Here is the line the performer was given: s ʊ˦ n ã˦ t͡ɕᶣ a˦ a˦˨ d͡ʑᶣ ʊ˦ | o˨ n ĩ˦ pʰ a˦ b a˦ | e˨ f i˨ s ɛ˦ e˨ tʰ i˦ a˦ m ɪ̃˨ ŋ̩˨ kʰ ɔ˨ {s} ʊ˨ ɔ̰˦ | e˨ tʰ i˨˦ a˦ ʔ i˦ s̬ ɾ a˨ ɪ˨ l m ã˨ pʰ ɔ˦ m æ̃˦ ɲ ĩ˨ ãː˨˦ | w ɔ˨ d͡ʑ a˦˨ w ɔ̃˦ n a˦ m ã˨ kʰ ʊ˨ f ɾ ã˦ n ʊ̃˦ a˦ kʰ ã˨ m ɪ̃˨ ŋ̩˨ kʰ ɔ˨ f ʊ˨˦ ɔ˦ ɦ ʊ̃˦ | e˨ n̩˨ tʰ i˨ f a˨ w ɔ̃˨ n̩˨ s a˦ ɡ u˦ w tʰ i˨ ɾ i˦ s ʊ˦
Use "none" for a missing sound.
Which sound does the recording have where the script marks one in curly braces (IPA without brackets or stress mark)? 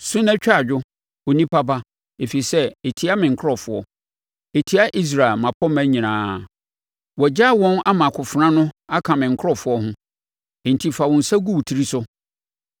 f